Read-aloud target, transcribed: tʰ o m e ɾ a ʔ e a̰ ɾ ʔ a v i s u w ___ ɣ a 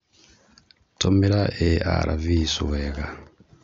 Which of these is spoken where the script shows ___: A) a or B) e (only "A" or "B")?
B